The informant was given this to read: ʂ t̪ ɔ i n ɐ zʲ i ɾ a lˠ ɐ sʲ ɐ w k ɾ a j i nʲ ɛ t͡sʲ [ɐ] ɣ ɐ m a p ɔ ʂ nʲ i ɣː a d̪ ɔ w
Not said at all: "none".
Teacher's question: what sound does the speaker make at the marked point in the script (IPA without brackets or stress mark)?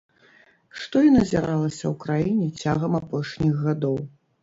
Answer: a